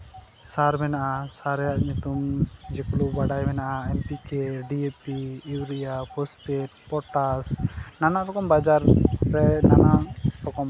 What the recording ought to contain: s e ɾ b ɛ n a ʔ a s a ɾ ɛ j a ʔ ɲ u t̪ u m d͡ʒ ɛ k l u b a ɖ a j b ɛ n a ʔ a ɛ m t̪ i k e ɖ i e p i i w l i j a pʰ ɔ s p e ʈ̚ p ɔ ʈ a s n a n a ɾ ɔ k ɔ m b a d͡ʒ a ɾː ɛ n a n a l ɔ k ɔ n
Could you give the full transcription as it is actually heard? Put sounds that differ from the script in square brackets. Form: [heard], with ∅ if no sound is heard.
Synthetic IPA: s [a] ɾ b ɛ n a ʔ a s a ɾ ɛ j a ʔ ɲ u t̪ u m d͡ʒ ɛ k l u b a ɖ a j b ɛ n a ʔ a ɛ m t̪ i k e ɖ i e p i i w [ɾ] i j a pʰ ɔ s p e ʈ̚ p ɔ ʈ a s n a n a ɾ ɔ k ɔ m b a d͡ʒ a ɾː ɛ n a n a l ɔ k ɔ [m]